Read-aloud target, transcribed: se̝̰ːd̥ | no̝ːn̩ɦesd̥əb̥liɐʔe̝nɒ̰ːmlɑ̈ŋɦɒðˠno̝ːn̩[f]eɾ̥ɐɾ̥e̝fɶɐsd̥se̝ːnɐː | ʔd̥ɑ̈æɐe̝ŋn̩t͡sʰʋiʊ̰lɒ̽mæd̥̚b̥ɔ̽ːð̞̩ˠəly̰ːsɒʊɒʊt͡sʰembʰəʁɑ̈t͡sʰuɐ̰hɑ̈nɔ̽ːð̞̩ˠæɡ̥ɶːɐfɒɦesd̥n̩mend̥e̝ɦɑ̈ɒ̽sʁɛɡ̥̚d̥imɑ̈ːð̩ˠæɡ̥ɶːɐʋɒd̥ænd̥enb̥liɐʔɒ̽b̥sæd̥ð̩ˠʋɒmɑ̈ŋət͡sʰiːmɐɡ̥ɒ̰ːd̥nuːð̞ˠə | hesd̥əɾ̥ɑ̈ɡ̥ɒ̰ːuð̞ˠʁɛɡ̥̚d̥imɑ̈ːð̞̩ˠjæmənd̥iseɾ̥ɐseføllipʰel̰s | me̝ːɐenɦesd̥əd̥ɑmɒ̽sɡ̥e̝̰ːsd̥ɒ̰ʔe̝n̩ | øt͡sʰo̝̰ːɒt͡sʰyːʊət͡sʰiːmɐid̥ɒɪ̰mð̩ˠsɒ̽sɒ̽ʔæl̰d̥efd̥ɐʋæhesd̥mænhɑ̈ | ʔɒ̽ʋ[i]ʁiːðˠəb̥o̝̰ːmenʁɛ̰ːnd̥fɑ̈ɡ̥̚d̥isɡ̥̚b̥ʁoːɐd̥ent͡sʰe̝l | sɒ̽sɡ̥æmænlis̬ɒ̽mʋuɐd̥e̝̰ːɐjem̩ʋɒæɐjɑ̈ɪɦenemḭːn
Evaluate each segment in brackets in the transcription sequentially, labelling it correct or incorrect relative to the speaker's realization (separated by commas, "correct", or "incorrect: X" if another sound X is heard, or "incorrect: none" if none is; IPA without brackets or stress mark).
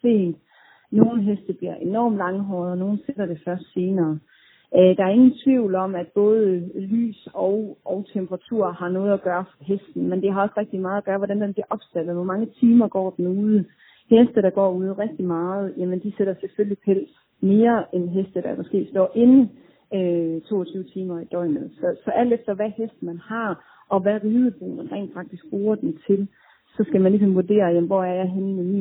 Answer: incorrect: s, incorrect: æ